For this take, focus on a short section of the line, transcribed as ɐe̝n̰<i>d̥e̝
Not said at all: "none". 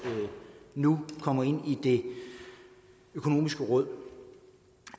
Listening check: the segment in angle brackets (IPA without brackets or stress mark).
i